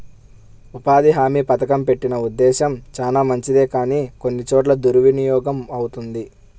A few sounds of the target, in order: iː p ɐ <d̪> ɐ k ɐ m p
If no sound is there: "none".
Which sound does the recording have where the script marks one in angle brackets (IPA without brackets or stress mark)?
t̪